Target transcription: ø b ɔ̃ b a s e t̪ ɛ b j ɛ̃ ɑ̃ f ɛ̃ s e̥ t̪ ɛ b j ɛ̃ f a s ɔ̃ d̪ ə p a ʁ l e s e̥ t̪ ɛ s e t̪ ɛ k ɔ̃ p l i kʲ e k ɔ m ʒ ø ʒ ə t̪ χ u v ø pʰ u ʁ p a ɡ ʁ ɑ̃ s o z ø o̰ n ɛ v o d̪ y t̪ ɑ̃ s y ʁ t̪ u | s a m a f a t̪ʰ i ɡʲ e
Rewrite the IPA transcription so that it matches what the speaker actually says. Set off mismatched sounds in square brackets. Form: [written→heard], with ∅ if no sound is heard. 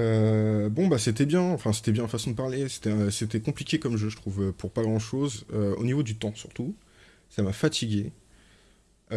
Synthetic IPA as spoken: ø b ɔ̃ b a s e t̪ ɛ b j ɛ̃ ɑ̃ f ɛ̃ s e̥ t̪ ɛ b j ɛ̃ f a s ɔ̃ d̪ ə p a ʁ l e s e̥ t̪ ɛ s e t̪ ɛ k ɔ̃ p l i kʲ e k ɔ m ʒ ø ʒ ə t̪ χ u v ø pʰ u ʁ p a ɡ ʁ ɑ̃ [s→ʃ] o z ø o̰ n [ɛ→i] v o d̪ y t̪ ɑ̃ s y ʁ t̪ u | s a m a f a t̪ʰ i ɡʲ e